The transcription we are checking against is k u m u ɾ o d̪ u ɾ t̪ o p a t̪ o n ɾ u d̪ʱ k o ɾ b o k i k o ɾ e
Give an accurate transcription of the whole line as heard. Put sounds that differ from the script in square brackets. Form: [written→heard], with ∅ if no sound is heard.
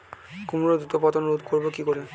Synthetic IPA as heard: k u m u ɾ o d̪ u [ɾ→∅] t̪ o p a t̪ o n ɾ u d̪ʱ k o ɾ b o k i k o ɾ e